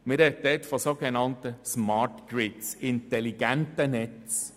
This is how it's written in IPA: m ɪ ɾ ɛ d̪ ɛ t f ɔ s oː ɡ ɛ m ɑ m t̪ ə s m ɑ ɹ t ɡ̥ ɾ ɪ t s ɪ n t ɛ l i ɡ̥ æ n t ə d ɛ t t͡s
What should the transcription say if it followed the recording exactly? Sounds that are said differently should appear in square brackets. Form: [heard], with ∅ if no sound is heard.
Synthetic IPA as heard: m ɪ ɾ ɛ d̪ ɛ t f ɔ s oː ɡ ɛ [n] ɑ [n] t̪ ə s m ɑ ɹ t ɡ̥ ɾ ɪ t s ɪ n t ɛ l i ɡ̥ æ n t ə [n] ɛ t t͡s